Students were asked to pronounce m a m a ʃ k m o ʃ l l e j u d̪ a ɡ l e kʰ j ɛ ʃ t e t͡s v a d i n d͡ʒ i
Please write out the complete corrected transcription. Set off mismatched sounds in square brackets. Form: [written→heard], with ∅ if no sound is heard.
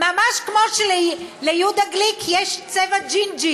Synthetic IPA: m a m a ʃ k m o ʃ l l e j u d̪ a ɡ l [e→i] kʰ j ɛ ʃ [t→t͡s] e [t͡s→∅] v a [d→d͡ʒ] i n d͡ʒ i

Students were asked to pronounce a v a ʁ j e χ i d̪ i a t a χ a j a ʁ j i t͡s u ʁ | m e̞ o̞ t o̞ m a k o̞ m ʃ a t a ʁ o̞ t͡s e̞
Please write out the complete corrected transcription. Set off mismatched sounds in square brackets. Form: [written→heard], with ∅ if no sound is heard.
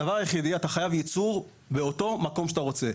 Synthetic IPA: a v a ʁ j e χ i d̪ i a t a χ a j a [ʁ→v] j i t͡s u ʁ | [m→b] e̞ o̞ t o̞ m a k o̞ m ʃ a t a ʁ o̞ t͡s e̞

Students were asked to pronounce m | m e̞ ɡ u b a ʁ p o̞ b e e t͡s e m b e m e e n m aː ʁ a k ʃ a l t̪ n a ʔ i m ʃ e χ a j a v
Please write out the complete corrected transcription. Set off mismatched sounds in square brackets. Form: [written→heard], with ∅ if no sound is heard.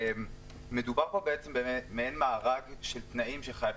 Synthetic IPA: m | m e̞ [ɡ→d] u b a ʁ p o̞ b e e t͡s e m b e m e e n m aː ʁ a [k→ɡ] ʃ [a→e] l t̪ n a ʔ i m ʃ e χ a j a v

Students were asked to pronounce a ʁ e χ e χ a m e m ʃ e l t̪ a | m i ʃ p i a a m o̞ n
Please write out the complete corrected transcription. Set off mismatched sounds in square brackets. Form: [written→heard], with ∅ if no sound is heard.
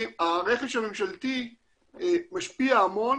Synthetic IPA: a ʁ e χ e [χ→ʃ] a m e m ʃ [e→a] l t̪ [a→i] | m [i→a] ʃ p i a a m o̞ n

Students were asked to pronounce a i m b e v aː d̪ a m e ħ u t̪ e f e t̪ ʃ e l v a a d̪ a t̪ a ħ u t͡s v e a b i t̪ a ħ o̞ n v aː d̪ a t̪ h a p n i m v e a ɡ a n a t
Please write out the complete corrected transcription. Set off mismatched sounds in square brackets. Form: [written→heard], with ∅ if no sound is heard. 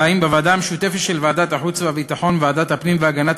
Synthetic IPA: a i m b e v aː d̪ a m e [ħ→ʃ] u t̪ e f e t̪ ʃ e l v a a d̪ a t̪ a ħ u t͡s v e a [b→v] i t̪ a ħ o̞ n v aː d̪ a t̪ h a p n i m v e a ɡ a n a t

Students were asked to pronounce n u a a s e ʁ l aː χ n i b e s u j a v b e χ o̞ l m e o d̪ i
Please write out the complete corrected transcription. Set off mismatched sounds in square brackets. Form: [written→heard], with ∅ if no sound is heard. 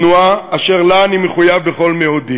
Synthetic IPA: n u a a [s→ʃ] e ʁ l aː [χ→∅] n i [b→m] e [s→χ] u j a v b e χ o̞ l m e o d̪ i

